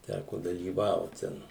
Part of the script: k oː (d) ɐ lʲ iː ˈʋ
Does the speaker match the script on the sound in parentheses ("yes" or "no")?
yes